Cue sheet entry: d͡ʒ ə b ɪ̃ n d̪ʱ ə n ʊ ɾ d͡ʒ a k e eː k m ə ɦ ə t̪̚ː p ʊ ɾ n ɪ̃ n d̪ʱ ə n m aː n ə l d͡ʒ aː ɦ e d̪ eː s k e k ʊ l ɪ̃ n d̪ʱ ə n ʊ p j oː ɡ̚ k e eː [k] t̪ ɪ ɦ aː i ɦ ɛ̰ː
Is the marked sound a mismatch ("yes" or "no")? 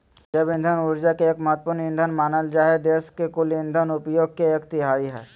no